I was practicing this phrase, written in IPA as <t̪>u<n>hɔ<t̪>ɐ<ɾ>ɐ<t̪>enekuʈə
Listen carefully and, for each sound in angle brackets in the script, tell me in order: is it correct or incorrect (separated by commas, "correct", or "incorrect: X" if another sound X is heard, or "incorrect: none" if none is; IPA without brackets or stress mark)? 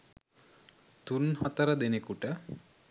correct, correct, correct, correct, incorrect: d̪